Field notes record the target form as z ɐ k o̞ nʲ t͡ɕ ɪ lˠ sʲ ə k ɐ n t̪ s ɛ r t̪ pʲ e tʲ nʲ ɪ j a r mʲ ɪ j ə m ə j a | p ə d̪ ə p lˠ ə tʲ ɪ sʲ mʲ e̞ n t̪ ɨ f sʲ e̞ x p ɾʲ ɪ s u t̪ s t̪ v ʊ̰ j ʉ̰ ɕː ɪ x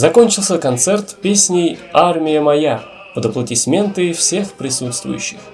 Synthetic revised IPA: z ɐ k o̞ nʲ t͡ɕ ɪ lˠ sʲ ə k ɐ n t̪ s ɛ r t̪ pʲ e sʲ nʲ ɪ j a r mʲ ɪ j ə m ɐ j a | p ə d̪ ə p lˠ ə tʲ ɪ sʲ mʲ e̞ n t̪ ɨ f sʲ e̞ x p ɾʲ ɪ s u t̪ s t̪ v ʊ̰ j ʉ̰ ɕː ɪ x